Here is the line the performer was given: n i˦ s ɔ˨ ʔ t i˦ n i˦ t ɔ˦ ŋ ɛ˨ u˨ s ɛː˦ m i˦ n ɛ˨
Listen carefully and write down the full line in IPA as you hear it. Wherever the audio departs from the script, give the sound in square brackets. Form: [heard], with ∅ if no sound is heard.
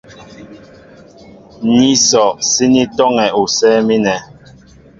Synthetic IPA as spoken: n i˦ s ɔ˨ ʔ [s] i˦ n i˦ t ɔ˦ ŋ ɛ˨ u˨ s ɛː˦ m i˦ n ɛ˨